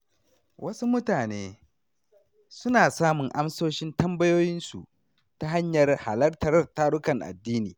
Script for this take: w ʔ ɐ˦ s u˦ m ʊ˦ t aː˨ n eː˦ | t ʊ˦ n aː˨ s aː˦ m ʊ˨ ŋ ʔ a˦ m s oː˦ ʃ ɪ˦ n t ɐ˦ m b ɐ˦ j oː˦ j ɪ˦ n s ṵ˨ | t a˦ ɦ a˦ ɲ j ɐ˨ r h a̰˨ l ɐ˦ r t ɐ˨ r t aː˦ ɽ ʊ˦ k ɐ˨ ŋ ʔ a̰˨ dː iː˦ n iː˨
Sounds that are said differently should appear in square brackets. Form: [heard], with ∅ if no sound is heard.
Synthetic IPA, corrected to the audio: w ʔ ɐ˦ s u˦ m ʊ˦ t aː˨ n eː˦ | [s] ʊ˦ n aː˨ s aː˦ m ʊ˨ ŋ ʔ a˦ m s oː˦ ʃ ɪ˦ n t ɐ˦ m b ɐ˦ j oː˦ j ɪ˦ n s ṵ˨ | t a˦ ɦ a˦ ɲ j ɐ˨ r h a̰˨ l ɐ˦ r t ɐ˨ r t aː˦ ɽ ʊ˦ k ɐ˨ ŋ ʔ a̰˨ dː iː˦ n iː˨